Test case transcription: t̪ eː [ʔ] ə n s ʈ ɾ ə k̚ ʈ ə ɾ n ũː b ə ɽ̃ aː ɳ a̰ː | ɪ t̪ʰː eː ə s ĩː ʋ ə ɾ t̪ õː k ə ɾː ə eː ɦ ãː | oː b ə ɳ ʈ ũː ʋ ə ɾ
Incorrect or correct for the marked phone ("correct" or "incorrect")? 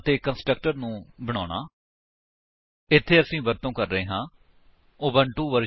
incorrect